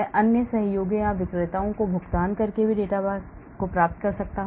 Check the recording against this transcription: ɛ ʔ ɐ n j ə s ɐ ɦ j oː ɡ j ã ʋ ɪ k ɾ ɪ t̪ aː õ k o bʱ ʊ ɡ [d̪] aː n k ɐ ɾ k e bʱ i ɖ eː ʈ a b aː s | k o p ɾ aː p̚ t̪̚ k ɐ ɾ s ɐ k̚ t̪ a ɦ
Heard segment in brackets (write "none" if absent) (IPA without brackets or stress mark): t̪